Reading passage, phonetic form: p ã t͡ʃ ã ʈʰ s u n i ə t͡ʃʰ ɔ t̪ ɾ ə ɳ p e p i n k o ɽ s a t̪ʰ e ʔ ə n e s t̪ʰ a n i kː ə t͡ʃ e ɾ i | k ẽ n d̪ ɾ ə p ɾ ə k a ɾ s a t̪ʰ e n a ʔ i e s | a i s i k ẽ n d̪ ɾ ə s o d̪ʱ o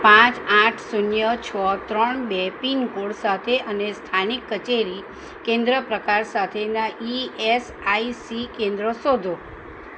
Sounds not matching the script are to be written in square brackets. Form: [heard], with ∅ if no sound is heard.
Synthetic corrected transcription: p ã t͡ʃ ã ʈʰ s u n [j] ə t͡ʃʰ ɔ t̪ ɾ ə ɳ [b] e p i n k o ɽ s a t̪ʰ e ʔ ə n e s t̪ʰ a n i kː ə t͡ʃ e ɾ i | k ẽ n d̪ ɾ ə p ɾ ə k a ɾ s a t̪ʰ e n a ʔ i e s | a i s i k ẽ n d̪ ɾ ə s o d̪ʱ o